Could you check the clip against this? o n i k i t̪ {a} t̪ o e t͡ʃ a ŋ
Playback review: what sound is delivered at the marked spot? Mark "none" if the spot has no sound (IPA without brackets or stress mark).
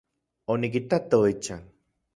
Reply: a